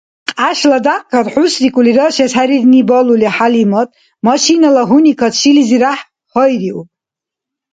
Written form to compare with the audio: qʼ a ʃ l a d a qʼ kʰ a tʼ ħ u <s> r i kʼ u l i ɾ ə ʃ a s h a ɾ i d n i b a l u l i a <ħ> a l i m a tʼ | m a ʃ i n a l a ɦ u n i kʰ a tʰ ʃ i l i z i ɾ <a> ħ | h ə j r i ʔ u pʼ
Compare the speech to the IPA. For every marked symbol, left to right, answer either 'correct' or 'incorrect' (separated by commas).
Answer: correct, correct, correct